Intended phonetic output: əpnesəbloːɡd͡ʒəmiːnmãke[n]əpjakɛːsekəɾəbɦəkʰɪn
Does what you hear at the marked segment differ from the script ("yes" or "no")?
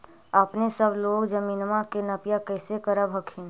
no